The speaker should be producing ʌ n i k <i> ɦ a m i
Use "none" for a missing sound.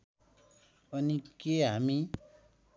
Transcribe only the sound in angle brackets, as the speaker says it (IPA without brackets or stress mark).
e